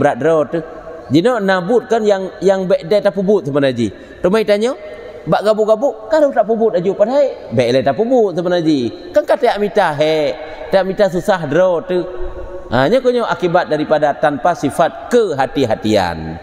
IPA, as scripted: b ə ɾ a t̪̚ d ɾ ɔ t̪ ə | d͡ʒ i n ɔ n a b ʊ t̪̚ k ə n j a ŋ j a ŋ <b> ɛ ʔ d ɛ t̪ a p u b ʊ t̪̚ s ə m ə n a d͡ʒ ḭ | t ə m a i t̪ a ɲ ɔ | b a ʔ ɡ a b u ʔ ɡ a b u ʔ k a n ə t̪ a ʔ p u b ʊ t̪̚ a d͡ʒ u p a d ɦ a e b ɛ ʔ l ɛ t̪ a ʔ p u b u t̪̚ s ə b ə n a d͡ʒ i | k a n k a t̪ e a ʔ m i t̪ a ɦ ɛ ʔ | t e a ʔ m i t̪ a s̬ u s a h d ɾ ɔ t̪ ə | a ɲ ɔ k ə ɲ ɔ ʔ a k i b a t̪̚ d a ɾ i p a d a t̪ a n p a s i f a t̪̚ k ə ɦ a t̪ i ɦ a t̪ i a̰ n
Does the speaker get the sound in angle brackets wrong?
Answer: no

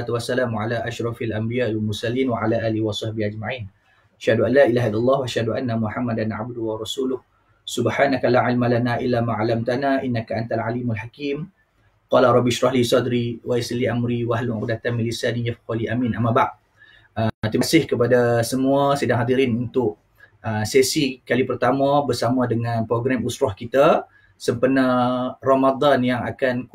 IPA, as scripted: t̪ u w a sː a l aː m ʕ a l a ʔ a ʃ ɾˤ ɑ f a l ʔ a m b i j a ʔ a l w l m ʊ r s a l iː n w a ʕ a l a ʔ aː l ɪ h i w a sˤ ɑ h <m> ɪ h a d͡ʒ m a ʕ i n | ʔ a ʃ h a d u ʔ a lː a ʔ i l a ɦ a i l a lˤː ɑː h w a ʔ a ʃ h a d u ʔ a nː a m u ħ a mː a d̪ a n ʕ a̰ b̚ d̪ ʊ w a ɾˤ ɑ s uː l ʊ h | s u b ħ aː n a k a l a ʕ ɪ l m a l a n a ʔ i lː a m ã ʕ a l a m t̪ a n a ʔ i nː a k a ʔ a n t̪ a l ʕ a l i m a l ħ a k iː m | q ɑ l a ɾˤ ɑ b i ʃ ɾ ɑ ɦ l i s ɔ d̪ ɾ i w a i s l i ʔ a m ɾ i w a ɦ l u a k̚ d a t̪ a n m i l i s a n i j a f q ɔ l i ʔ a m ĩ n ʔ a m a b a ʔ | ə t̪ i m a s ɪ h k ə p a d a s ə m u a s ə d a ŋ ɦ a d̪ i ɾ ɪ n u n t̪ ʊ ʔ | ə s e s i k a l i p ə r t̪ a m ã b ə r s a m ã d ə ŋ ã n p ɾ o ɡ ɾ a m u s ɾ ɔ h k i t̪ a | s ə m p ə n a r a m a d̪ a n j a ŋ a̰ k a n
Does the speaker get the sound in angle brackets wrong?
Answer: yes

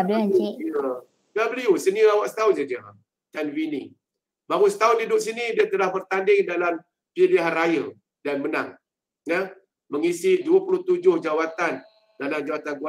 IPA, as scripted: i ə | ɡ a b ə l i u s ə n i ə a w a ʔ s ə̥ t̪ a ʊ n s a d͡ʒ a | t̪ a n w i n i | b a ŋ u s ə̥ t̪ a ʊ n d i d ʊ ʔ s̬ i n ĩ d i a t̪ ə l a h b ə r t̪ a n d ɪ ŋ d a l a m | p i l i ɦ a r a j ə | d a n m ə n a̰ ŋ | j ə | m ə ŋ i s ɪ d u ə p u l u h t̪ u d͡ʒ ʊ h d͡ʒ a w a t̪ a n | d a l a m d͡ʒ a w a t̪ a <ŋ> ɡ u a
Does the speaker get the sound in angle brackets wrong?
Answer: yes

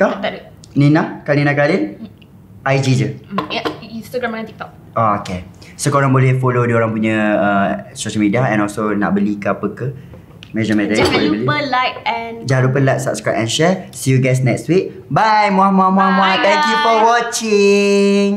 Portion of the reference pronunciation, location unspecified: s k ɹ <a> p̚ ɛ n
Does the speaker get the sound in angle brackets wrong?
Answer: no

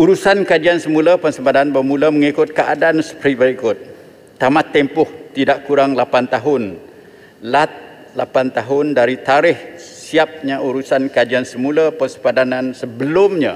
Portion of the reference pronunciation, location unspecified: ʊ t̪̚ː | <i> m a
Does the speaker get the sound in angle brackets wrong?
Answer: yes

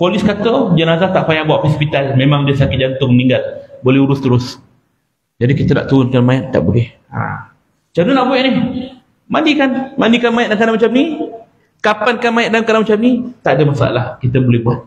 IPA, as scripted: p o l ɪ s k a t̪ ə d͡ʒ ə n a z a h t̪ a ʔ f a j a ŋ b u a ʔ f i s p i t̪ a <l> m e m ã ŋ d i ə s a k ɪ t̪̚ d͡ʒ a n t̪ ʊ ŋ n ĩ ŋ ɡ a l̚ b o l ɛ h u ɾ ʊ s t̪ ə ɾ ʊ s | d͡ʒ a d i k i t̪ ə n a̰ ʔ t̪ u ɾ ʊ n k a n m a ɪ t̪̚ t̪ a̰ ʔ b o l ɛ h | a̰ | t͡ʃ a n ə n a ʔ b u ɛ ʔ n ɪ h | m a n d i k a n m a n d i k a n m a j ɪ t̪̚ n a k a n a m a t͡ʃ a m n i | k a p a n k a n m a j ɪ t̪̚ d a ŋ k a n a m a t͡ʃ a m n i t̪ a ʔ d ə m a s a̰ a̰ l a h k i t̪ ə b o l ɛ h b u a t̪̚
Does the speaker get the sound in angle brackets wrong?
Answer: no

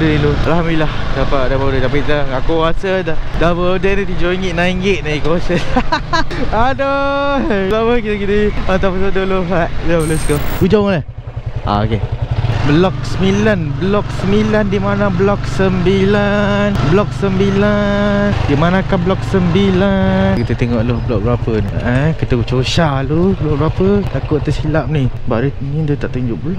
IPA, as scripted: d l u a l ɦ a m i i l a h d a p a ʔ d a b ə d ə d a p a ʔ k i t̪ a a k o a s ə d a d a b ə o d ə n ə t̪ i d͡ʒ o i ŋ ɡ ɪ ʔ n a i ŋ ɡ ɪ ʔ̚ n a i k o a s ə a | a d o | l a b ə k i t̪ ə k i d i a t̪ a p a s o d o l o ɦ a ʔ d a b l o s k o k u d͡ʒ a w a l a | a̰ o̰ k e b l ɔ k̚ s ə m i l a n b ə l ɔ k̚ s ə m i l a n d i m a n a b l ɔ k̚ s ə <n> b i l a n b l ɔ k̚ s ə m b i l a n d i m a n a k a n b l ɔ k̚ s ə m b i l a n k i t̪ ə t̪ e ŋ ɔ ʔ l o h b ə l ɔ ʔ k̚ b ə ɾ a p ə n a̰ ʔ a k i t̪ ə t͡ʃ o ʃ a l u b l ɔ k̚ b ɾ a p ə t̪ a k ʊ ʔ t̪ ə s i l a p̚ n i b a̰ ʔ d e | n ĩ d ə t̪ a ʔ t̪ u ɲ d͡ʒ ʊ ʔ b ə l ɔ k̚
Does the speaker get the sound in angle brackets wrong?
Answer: yes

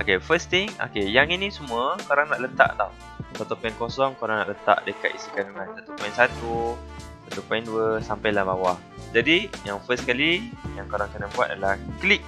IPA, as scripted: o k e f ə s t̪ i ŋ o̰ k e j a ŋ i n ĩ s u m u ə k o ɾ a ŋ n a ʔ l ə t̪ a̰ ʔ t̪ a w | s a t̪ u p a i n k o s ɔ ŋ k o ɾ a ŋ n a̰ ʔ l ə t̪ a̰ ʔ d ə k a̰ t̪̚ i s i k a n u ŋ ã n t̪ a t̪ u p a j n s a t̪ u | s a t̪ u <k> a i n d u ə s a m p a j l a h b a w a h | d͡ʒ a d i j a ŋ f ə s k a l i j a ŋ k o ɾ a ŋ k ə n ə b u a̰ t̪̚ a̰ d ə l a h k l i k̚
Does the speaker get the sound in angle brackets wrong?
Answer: yes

